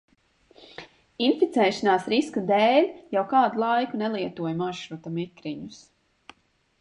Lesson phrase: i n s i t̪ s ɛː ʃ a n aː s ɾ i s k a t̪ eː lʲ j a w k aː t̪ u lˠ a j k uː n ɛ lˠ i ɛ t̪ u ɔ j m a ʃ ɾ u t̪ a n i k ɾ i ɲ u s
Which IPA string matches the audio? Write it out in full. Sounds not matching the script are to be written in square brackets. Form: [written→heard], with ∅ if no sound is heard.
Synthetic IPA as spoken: i n [s→f] i t̪ s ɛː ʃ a n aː s ɾ i s k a [t̪→d̪] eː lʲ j a w k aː [t̪→d̪] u lˠ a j k [uː→u] n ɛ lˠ i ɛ t̪ u ɔ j m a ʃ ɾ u t̪ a [n→m] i k ɾ i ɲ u s